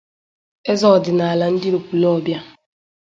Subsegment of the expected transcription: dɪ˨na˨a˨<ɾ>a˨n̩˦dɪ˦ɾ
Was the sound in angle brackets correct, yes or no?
no